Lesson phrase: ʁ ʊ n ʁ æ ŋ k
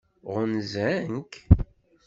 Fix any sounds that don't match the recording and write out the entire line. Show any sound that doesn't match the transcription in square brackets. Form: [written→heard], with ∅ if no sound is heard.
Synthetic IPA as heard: ʁ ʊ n [ʁ→z] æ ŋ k